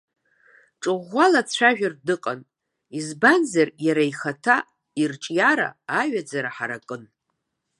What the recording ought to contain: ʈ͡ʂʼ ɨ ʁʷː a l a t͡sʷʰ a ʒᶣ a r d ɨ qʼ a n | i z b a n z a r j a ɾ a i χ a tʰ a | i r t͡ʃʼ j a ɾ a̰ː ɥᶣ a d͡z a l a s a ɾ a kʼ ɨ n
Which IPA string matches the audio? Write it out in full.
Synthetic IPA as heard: ʈ͡ʂʼ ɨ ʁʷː a l a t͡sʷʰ a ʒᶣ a r d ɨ qʼ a n | i z b a n z a r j a ɾ a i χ a tʰ a | i r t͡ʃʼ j a ɾ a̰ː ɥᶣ a d͡z a ɾ a ħ a ɾ a kʼ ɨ n